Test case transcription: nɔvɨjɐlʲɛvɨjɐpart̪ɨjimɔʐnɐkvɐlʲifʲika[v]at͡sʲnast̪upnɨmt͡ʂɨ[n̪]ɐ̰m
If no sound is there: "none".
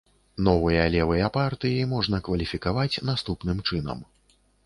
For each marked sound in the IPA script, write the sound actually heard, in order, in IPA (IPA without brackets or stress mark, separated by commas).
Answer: v, n̪